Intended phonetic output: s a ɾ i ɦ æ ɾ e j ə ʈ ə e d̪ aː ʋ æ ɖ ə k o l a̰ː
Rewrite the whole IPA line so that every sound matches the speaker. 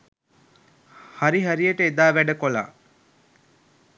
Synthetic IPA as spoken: h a ɾ i ɦ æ ɾ i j ə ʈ ə e d̪ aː ʋ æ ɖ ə k o l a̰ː